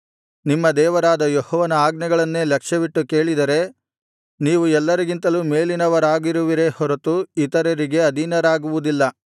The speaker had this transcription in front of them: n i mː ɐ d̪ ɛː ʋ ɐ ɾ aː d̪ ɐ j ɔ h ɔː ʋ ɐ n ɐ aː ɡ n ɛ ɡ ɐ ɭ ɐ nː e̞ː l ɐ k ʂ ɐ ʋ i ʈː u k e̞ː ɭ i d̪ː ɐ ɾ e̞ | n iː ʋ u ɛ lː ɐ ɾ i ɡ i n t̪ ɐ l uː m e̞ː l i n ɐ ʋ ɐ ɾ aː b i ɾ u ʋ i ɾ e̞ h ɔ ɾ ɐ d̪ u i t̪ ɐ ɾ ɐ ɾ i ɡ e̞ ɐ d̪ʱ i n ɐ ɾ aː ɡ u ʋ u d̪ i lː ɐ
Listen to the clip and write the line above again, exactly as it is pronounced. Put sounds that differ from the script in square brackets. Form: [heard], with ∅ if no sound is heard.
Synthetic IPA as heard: n i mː ɐ d̪ ɛː ʋ ɐ ɾ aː d̪ ɐ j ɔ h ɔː ʋ ɐ n ɐ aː ɡ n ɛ ɡ ɐ ɭ ɐ nː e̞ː l ɐ k ʂ ɐ ʋ i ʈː u k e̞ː ɭ i [d̪] ɐ ɾ e̞ | n iː ʋ u ɛ lː ɐ ɾ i ɡ i n t̪ ɐ l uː m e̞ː l i n ɐ ʋ ɐ ɾ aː [ɡ] i ɾ u ʋ i ɾ e̞ h ɔ ɾ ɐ [t̪] u i t̪ ɐ ɾ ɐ ɾ i ɡ e̞ ɐ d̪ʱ i n ɐ ɾ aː ɡ u ʋ u d̪ i lː ɐ